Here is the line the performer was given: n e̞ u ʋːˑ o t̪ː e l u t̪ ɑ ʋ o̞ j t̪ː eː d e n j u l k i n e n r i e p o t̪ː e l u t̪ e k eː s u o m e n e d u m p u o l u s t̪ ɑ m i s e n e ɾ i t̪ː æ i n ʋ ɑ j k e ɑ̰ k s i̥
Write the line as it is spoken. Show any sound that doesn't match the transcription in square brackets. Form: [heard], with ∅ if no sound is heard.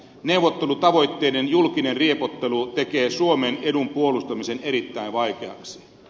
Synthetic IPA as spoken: n e̞ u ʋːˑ o t̪ː e l u t̪ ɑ ʋ o̞ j t̪ː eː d e n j u l k i n e n r i e p o t̪ː e l u t̪ e k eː s u o m e n e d u m p u o l u s t̪ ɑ m i s e n e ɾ i t̪ː æ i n ʋ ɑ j k e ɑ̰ k s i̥